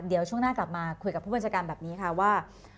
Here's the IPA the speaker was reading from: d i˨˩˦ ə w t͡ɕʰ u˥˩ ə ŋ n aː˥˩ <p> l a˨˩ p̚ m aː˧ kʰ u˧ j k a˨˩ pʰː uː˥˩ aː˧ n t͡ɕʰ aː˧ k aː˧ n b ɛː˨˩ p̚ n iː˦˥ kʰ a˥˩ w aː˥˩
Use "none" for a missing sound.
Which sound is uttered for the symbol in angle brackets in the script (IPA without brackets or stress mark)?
k